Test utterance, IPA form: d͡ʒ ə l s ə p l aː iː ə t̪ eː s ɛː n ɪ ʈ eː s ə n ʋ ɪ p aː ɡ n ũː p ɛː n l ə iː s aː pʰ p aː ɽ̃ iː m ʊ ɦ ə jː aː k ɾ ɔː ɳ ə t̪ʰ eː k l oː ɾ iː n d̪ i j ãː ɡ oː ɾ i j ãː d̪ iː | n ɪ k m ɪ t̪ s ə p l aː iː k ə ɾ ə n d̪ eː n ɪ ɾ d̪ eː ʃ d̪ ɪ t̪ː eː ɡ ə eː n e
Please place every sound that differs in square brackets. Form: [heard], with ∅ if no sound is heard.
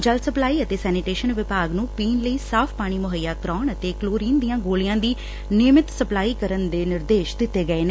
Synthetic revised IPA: d͡ʒ ə l s ə p l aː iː ə t̪ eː s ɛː n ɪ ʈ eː [ʃ] ə n ʋ ɪ p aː ɡ n ũː p [iː] n l ə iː s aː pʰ p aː ɽ̃ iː m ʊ ɦ ə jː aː k ɾ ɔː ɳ ə [t̪] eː k l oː ɾ iː n d̪ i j ãː ɡ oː [l] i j ãː d̪ iː | n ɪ [∅] m ɪ t̪ s ə p l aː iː k ə ɾ ə n d̪ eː n ɪ ɾ d̪ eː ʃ d̪ ɪ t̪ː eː ɡ ə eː n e